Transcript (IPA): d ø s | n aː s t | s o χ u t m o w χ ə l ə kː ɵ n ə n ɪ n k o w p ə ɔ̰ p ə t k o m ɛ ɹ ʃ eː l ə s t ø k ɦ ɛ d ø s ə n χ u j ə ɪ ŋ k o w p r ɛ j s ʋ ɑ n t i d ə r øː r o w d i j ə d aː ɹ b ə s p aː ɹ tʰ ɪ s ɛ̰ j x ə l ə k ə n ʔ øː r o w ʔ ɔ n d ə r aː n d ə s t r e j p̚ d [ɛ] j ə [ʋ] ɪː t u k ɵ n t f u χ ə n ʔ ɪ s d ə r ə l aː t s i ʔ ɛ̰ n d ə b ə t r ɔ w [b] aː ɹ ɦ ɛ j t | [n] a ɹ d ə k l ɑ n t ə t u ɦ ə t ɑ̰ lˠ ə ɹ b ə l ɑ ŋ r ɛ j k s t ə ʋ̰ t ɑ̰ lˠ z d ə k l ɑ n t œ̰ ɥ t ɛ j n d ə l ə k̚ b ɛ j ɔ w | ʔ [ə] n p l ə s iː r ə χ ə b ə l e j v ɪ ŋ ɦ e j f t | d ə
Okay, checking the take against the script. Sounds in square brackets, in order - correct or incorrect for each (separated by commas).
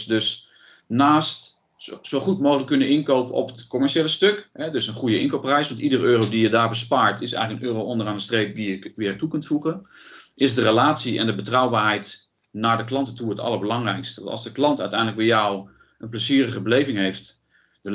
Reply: incorrect, correct, correct, correct, correct